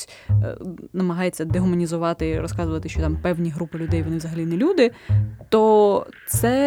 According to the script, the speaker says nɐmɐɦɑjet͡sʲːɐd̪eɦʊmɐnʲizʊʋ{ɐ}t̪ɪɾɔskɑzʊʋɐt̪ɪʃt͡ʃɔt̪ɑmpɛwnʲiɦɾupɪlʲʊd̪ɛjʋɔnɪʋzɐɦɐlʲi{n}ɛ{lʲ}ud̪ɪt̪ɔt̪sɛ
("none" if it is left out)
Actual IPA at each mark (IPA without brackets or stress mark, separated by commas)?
ɑ, n, lʲ